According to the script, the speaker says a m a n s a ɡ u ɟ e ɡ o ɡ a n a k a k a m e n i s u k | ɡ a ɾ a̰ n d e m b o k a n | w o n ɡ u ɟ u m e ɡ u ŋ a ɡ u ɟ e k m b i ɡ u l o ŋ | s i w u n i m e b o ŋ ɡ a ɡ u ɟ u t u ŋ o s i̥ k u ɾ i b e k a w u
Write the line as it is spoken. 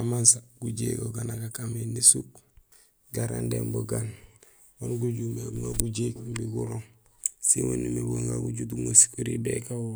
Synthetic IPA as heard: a m a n s a ɡ u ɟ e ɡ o ɡ a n a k a k a m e n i s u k | ɡ a ɾ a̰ n d e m b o ɡ a n | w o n ɡ u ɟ u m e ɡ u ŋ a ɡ u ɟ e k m b i ɡ u ɾ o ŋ | s i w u n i m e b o ŋ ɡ a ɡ u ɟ u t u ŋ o s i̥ k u ɾ i b e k a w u